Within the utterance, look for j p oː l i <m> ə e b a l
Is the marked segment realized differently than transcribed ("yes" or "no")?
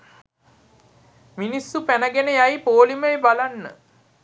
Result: no